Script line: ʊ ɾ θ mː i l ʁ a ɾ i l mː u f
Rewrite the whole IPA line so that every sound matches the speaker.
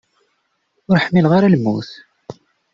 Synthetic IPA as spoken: ʊ ɾ ħ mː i l ʁ a ɾ a l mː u θ